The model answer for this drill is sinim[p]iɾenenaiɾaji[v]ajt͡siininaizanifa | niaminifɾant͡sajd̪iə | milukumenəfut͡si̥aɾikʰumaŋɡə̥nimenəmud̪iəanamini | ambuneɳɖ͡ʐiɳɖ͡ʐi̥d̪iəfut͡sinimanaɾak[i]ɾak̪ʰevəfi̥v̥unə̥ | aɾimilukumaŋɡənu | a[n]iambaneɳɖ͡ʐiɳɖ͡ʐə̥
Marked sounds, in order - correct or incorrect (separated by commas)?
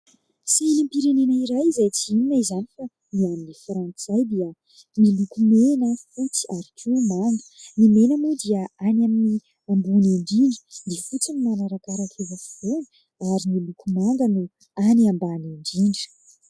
correct, incorrect, incorrect, correct